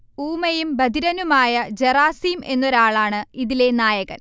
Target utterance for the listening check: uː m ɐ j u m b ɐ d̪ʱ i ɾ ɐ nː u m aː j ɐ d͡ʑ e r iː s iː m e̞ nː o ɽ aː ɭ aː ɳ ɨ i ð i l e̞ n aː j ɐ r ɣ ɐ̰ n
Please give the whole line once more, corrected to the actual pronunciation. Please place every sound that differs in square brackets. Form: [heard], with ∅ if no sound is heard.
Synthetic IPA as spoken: uː m ɐ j u m b ɐ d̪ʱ i ɾ ɐ [n] u m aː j ɐ d͡ʑ e r [aː] s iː m e̞ nː o [ɾ] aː ɭ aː ɳ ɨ i ð i l e̞ n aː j ɐ [∅] ɣ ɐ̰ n